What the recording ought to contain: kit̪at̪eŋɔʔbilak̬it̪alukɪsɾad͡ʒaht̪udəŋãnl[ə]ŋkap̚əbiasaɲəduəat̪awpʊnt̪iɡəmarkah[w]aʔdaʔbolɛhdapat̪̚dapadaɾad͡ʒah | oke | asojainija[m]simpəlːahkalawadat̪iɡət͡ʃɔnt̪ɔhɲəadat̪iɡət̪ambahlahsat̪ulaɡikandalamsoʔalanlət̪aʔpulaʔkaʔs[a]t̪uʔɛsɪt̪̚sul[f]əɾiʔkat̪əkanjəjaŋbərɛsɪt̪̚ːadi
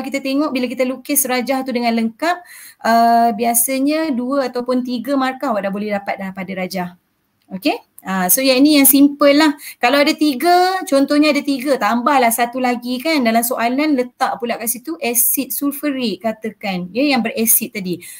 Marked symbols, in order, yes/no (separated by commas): yes, yes, no, no, yes